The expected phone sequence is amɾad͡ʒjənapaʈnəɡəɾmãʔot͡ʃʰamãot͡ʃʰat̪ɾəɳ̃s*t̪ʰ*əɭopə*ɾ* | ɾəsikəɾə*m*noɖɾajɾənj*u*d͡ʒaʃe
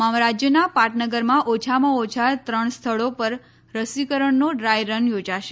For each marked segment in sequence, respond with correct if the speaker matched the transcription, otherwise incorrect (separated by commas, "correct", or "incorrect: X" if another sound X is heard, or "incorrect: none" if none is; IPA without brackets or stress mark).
correct, correct, incorrect: ɳ, incorrect: o